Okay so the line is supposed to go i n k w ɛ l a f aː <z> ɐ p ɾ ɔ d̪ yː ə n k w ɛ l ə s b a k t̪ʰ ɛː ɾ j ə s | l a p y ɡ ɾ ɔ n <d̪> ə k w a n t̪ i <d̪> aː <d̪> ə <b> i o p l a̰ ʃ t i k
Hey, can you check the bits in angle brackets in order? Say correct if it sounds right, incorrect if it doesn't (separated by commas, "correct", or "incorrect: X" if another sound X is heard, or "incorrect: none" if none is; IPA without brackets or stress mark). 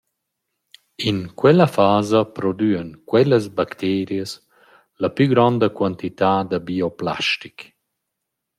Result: correct, correct, incorrect: t̪, correct, correct